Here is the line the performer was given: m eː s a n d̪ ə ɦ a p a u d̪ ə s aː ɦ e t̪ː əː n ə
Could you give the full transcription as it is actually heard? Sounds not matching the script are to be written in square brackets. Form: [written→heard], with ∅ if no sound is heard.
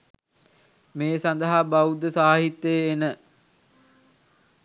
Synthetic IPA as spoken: m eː s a n d̪ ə ɦ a [p→b] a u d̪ ə s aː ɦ [e→i] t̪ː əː n ə